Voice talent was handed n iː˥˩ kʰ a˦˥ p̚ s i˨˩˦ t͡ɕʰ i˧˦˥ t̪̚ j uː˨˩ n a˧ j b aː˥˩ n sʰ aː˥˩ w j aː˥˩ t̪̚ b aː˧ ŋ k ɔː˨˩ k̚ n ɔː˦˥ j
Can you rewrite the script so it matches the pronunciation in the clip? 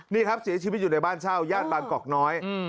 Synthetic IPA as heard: n iː˥˩ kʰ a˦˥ p̚ s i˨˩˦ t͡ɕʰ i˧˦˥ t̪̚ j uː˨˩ n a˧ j b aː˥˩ n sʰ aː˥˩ w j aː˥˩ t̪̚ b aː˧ ŋ k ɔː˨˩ k̚ n ɔː˦˥ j